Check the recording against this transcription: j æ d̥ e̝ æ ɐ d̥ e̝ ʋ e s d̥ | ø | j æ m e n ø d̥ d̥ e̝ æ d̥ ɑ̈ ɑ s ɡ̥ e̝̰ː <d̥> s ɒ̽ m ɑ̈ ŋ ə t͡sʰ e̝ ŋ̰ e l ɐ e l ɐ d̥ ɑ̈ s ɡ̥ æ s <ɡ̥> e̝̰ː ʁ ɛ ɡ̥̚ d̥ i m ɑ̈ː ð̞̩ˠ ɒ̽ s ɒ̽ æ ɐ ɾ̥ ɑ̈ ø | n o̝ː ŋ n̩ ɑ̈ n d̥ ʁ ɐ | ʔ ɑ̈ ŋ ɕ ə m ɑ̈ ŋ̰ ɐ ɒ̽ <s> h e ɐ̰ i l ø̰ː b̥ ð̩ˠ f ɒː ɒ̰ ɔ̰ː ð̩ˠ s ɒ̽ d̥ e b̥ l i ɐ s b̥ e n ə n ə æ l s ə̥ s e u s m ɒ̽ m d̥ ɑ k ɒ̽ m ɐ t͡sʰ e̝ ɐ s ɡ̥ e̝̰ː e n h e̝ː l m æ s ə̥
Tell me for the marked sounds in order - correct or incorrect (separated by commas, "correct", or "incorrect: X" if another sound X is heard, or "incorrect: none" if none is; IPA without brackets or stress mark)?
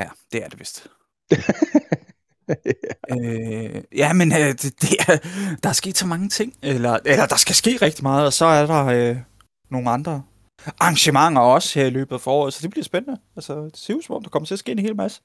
correct, correct, correct